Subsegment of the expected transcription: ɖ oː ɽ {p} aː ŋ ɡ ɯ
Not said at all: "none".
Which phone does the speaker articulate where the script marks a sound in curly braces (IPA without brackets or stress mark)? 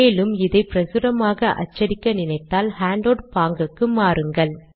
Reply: p